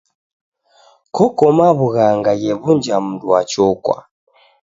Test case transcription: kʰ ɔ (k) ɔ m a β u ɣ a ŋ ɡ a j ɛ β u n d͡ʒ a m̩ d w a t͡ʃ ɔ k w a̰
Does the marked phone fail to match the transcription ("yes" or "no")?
no